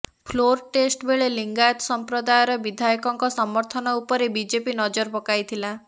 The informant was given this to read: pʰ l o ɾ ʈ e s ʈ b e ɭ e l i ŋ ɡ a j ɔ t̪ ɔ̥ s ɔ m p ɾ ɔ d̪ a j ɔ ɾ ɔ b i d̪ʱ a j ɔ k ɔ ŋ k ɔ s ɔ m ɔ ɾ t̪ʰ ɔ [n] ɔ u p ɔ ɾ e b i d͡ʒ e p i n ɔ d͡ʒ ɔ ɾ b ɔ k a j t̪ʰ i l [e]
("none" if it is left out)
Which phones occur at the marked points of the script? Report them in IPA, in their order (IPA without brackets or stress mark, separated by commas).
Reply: n, a